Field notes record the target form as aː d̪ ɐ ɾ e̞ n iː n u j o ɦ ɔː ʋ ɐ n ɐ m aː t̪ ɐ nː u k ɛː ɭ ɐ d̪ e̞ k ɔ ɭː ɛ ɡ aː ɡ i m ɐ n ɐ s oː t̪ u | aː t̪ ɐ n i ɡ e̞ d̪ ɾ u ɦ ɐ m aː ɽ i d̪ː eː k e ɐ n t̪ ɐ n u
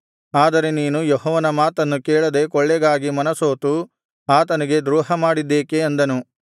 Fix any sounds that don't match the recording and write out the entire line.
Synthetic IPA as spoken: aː d̪ ɐ ɾ e̞ n iː n u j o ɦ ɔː ʋ ɐ n ɐ m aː t̪ ɐ nː u k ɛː ɭ ɐ d̪ e̞ k ɔ ɭː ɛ ɡ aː ɡ i m ɐ n ɐ s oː t̪ u | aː t̪ ɐ n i ɡ e̞ d̪ ɾ uː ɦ ɐ m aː ɽ i d̪ː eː k e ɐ n d̪ ɐ n u